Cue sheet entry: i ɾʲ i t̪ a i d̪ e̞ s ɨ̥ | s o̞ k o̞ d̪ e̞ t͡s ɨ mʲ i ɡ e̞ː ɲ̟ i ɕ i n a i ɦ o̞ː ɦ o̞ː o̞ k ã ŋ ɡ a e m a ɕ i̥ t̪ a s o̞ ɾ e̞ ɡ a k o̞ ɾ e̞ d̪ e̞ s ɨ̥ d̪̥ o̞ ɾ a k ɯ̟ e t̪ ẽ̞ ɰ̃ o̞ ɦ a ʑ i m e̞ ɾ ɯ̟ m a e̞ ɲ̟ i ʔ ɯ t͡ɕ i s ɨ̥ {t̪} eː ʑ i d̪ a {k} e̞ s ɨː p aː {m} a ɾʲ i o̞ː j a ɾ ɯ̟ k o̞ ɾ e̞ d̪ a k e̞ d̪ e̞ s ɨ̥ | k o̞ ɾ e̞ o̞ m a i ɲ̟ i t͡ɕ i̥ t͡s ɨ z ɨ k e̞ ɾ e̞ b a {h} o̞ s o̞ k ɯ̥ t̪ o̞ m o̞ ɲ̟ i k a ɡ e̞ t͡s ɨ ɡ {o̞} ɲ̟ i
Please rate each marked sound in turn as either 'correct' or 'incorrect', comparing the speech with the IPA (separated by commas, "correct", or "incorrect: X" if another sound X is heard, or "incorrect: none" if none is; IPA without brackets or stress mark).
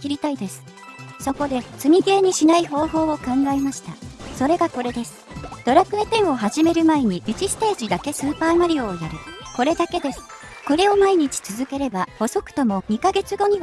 correct, correct, correct, correct, correct